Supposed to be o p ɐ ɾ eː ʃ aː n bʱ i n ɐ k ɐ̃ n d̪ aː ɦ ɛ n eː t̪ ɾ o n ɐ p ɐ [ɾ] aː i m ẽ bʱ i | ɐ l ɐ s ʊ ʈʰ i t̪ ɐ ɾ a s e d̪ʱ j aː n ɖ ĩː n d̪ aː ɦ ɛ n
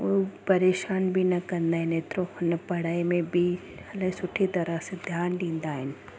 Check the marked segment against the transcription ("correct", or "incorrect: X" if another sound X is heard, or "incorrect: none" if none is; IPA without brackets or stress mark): incorrect: ɽ